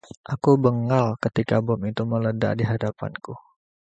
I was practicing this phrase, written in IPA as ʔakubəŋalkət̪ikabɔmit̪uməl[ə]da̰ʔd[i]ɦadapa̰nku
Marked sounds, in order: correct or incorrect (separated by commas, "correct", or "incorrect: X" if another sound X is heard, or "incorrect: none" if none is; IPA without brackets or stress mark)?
correct, correct